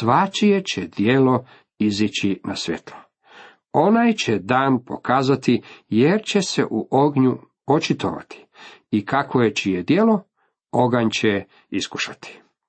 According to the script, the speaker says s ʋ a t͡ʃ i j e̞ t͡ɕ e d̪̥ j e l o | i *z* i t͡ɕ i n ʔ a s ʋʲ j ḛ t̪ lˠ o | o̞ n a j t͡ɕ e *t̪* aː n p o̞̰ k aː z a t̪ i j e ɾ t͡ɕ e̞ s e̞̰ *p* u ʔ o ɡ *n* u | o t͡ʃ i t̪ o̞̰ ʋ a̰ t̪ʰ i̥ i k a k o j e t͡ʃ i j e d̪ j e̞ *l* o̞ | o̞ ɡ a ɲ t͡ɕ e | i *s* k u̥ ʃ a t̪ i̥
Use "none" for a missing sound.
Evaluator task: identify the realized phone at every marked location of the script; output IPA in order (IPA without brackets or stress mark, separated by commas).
z, d̪, ʔ, ɲ, l, s